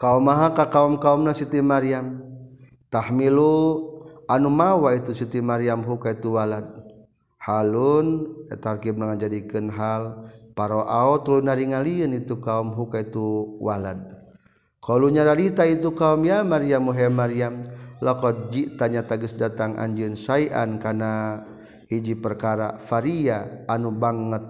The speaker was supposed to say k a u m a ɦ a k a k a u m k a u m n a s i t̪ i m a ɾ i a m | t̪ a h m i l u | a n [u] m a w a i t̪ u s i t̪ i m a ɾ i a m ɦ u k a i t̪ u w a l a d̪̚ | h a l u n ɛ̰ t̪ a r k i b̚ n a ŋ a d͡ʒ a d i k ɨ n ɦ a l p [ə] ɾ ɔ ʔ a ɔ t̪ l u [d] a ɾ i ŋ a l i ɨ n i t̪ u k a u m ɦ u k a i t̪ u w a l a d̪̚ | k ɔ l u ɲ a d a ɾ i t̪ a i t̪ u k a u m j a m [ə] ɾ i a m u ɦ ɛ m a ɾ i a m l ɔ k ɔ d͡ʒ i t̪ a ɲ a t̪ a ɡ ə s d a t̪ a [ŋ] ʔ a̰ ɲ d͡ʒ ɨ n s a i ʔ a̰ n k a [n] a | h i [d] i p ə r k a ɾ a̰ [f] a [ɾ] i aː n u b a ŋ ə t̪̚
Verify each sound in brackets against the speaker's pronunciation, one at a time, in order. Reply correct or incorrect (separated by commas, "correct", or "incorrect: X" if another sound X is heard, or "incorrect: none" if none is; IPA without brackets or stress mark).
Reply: correct, incorrect: a, incorrect: n, incorrect: a, correct, correct, incorrect: d͡ʒ, correct, correct